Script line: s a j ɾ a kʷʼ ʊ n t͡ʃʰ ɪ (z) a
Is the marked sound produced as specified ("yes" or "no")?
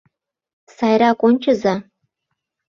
yes